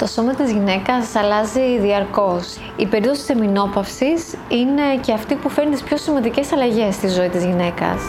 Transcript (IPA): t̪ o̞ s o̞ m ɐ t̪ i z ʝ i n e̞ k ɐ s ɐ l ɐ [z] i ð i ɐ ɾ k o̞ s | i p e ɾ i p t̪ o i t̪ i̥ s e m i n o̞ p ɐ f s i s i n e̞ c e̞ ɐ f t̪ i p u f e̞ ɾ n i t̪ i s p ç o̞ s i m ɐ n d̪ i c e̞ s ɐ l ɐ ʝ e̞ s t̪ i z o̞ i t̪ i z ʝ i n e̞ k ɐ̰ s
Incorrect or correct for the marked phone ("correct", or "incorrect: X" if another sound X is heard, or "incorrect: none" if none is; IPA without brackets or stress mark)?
correct